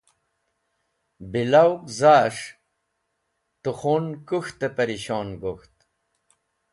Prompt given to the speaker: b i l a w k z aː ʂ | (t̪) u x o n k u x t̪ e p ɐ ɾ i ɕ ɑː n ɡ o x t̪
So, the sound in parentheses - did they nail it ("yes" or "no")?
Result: yes